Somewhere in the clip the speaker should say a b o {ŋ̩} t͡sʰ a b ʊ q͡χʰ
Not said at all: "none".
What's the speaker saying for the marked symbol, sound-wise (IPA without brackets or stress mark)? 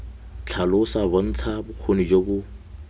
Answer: n̩